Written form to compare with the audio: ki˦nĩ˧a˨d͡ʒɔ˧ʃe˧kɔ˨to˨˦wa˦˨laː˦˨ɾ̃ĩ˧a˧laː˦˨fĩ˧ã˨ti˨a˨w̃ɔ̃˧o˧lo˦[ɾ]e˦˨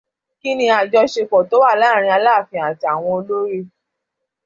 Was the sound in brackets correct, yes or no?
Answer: yes